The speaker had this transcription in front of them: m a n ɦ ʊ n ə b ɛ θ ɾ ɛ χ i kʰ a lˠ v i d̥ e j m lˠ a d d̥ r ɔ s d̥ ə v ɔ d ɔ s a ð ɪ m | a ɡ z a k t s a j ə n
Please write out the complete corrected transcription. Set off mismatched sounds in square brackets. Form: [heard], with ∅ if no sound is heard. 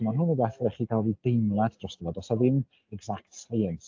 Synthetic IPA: m a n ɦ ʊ n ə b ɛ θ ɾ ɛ χ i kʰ a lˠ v i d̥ e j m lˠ a d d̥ r ɔ s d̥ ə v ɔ d ɔ s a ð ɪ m | [ɛ] ɡ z a k t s a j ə n